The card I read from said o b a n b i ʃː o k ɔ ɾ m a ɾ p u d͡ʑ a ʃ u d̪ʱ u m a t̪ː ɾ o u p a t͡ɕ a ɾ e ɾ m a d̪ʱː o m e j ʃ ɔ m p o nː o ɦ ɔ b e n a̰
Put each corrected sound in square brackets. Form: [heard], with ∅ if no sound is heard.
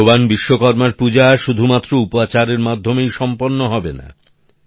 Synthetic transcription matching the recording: o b a n b i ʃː o k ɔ ɾ m a ɾ p u d͡ʑ a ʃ u d̪ʱ u m a t̪ː ɾ o u p a t͡ɕ a ɾ e ɾ m a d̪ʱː o m e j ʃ ɔ m p o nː o ɦ ɔ b e n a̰